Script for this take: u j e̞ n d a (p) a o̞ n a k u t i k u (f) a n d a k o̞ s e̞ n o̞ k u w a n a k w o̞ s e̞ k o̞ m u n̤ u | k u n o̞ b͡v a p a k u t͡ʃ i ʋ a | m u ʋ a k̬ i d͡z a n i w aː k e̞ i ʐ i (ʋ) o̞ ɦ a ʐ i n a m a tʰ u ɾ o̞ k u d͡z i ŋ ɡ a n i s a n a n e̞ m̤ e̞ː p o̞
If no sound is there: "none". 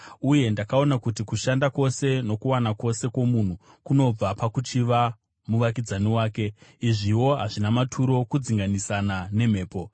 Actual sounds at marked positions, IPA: k, ʃ, w

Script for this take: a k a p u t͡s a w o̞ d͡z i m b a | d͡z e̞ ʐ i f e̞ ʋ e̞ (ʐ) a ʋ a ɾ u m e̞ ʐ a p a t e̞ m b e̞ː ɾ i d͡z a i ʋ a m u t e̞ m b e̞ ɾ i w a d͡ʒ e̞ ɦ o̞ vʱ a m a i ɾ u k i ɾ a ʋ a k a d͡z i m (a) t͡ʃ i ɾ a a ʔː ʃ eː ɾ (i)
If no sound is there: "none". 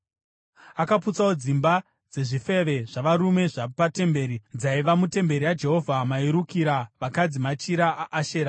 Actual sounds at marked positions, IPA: ʐ, a, a

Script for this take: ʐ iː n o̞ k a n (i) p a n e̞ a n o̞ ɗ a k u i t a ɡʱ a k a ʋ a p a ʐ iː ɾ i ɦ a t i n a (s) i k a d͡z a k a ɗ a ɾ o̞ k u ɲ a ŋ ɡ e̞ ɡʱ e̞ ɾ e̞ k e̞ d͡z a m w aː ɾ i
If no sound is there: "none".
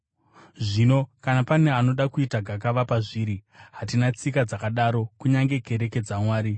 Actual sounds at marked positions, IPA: a, t͡s

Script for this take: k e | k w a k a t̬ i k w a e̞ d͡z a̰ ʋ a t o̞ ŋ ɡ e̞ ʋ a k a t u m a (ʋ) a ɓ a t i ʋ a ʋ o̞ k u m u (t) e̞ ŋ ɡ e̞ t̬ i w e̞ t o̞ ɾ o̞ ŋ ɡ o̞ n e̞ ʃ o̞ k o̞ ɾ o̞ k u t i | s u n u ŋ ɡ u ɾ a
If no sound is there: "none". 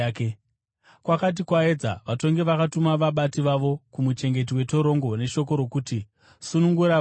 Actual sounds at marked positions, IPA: ʋ, t͡ʃ

